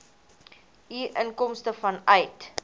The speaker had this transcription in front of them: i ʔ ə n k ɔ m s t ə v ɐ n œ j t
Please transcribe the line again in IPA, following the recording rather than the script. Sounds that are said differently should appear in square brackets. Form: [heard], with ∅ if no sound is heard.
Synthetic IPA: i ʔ ə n k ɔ m s t ə [f] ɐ n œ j t